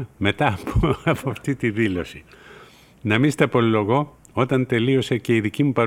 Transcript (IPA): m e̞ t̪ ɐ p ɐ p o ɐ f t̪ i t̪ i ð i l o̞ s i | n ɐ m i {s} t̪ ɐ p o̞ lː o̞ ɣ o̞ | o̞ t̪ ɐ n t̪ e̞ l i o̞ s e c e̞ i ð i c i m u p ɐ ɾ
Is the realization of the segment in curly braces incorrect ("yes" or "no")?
no